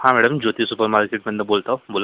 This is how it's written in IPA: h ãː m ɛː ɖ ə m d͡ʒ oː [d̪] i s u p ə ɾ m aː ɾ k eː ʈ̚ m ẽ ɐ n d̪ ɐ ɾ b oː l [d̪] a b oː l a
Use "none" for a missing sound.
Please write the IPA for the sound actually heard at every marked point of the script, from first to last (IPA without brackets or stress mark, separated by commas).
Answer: t̪, t̪